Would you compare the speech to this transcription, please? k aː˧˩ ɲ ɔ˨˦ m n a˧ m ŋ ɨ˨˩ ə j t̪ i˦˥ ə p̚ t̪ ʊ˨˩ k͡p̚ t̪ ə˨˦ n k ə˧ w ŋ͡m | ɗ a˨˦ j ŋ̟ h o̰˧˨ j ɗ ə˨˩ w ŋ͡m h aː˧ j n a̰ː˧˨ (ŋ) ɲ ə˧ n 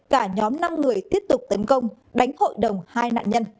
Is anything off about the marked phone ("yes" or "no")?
yes